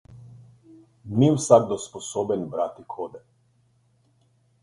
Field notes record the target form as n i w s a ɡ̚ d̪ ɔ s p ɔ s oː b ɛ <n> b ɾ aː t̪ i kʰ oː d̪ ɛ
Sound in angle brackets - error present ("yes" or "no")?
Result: no